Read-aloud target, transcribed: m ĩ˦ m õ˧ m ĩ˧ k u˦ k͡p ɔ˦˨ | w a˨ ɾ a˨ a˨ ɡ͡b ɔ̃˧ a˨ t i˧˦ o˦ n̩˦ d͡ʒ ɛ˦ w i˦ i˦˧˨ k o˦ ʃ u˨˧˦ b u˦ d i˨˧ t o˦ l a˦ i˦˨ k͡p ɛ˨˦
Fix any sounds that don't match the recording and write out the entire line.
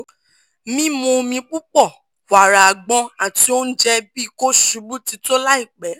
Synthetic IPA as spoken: m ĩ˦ m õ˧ m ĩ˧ k͡p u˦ k͡p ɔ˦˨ | w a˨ ɾ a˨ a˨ ɡ͡b ɔ̃˧ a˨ t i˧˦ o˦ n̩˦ d͡ʒ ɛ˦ b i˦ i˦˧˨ k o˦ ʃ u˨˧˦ b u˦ t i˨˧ t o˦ l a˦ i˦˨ k͡p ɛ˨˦

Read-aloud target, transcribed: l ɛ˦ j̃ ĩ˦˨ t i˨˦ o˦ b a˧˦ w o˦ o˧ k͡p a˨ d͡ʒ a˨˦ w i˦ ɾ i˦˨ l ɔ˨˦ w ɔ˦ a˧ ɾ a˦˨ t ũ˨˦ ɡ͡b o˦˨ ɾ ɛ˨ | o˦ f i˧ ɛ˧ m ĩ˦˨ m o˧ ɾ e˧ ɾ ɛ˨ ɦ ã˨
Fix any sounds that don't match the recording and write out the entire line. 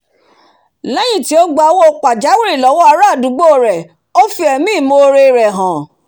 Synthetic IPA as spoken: l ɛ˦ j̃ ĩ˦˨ t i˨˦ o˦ ɡ͡b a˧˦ w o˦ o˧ k͡p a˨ d͡ʒ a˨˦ w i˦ ɾ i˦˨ l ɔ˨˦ w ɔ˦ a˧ ɾ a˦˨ d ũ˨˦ ɡ͡b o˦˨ ɾ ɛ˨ | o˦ f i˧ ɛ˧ m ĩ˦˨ m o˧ ɾ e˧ ɾ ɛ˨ ɦ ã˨

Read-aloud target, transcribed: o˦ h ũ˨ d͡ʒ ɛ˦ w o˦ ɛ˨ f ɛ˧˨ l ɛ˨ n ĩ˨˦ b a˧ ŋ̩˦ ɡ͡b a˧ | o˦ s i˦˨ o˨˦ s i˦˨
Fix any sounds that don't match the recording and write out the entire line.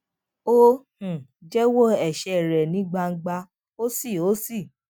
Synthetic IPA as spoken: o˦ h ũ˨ d͡ʒ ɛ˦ w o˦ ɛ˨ ʃ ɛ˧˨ ɾ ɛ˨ n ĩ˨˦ ɡ͡b a˧ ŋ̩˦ ɡ͡b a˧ | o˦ s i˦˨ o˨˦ s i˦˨

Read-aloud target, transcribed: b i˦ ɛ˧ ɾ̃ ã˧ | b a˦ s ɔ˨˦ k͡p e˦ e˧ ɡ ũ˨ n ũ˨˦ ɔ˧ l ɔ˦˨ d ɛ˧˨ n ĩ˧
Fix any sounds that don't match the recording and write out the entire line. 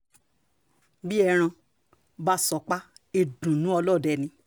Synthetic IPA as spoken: b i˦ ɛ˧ ɾ̃ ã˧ | b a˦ s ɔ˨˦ k͡p a˦ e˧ d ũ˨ n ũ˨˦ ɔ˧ l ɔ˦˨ d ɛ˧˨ n ĩ˧

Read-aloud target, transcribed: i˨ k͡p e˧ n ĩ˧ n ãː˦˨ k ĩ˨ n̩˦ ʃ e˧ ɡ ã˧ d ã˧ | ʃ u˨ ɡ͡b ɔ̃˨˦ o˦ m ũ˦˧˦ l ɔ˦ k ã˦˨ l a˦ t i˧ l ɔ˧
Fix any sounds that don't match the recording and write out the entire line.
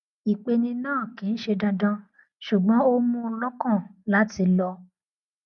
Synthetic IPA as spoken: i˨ k͡p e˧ n ĩ˧ n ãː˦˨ k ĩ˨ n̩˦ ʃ e˧ d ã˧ d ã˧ | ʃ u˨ ɡ͡b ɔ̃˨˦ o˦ m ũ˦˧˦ l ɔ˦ k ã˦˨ l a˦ t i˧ l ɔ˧

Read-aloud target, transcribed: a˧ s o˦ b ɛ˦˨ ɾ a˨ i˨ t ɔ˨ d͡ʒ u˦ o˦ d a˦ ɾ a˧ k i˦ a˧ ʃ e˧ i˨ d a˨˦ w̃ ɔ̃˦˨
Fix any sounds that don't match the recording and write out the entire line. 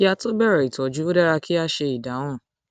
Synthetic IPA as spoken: a˧ t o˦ b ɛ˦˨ ɾ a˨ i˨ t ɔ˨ d͡ʒ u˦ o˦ d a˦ ɾ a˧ k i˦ a˧ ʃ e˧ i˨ d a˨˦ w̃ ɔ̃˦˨

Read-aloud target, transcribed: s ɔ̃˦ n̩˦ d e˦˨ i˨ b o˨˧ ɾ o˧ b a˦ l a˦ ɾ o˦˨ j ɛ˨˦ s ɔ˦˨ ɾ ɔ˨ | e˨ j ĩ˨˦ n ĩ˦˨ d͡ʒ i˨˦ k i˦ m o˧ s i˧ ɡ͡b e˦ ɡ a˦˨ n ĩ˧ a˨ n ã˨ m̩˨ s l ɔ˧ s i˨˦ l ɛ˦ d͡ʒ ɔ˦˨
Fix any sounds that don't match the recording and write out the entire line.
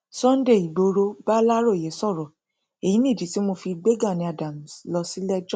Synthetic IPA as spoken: s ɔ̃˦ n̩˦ d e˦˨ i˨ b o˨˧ ɾ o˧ b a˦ l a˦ ɾ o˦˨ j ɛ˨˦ s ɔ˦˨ ɾ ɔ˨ | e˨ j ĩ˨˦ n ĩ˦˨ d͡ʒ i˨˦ t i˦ m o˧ f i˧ ɡ͡b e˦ ɡ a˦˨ n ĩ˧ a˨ d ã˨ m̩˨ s l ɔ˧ s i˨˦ l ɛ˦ d͡ʒ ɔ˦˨

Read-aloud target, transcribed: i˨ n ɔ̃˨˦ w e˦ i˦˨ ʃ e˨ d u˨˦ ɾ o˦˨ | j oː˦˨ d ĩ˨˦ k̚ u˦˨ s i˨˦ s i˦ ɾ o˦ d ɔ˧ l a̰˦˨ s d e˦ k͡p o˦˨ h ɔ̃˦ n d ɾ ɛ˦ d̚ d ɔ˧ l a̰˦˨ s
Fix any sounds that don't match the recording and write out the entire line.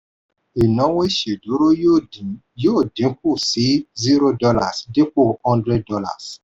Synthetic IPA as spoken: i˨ n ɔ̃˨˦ w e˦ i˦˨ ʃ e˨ d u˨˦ ɾ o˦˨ | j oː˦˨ d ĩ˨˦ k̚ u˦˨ s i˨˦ z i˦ ɾ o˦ d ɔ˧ l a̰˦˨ s d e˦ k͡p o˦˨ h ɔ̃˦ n d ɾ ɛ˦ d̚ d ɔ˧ l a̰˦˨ s

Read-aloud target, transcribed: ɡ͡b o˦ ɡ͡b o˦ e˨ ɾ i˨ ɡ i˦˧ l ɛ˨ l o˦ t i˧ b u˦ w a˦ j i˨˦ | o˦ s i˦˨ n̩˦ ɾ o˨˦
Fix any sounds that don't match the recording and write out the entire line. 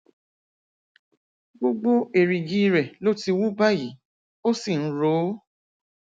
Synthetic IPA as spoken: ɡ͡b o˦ ɡ͡b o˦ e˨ ɾ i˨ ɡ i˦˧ ɾ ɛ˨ l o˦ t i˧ w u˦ b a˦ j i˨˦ | o˦ s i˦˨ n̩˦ ɾ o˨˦

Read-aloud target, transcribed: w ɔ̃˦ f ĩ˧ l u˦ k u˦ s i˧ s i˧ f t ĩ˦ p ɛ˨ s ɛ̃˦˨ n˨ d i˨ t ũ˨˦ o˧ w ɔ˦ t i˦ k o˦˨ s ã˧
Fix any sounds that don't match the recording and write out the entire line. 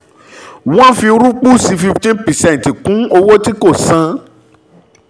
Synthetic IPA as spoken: w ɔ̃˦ f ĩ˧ ɾ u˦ k͡p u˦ s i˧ f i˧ f t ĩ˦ p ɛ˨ s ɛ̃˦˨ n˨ t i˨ k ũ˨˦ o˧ w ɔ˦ t i˦ k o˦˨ s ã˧

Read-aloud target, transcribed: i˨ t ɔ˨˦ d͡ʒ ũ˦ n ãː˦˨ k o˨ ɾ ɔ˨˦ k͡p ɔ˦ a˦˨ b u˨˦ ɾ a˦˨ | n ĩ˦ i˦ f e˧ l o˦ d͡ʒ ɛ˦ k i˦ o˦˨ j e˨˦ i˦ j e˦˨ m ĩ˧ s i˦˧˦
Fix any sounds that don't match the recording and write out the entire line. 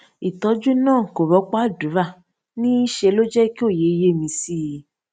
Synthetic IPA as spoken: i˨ t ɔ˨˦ d͡ʒ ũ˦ n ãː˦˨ k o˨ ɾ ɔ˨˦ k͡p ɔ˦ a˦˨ d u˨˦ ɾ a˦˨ | n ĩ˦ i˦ ʃ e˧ l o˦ d͡ʒ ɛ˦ k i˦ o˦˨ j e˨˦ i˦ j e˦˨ m ĩ˧ s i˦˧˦

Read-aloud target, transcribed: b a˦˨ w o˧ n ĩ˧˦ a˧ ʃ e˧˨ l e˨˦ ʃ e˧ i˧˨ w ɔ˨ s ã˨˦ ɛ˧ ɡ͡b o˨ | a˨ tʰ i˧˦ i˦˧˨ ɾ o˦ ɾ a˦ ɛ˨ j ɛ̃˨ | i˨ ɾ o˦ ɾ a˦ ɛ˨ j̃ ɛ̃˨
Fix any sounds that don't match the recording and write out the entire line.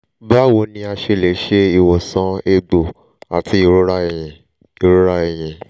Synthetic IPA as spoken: b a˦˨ w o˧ n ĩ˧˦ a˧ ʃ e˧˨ l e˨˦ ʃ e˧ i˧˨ w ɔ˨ s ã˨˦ e˧ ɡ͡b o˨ | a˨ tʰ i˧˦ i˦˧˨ ɾ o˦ ɾ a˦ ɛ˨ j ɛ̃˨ | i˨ ɾ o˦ ɾ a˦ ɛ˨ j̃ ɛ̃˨

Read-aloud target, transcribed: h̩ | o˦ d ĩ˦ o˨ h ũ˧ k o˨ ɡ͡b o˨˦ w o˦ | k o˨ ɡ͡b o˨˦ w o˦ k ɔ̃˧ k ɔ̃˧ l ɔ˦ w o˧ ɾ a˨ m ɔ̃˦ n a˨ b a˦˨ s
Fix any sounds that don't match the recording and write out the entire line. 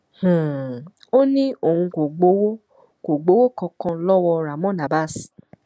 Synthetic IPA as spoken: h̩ | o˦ n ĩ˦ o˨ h ũ˧ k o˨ ɡ͡b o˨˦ w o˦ | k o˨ ɡ͡b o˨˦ w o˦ k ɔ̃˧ k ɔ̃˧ l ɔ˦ w ɔ˧ ɾ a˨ m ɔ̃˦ n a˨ b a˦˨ s

